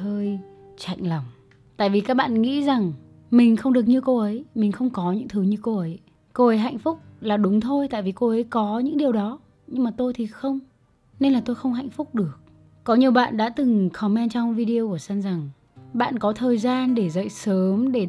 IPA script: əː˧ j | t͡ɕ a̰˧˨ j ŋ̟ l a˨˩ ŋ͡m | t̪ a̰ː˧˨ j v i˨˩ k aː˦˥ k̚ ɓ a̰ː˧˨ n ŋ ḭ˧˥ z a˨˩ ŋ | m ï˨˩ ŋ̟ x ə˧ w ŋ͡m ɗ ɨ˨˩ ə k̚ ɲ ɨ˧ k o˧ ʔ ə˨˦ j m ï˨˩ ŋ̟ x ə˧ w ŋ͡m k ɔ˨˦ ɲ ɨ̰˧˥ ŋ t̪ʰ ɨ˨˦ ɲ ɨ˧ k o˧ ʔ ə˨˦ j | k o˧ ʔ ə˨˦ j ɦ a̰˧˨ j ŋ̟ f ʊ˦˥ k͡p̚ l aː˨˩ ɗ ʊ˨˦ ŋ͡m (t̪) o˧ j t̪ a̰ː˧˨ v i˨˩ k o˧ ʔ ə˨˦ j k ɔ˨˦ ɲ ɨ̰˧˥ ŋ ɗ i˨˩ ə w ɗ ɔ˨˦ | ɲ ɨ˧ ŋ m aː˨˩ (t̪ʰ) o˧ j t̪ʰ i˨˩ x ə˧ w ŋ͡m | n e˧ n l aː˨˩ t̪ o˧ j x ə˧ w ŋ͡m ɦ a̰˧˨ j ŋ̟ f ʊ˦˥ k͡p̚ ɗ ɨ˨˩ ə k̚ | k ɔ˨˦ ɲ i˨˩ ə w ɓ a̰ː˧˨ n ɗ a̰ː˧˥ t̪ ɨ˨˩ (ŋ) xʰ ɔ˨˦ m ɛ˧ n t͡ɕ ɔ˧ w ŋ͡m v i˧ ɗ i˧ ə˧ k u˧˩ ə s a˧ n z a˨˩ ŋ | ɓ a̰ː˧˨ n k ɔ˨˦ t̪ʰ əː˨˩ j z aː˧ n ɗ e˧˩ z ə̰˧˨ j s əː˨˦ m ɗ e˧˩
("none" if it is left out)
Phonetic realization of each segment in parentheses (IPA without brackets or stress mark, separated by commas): t̪ʰ, t̪, ŋ